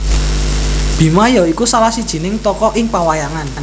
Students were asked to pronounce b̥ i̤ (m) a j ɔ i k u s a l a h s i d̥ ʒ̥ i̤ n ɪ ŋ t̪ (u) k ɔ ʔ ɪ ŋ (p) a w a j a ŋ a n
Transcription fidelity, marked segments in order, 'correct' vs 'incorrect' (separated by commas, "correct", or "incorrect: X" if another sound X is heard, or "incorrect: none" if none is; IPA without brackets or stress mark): correct, incorrect: ɔ, correct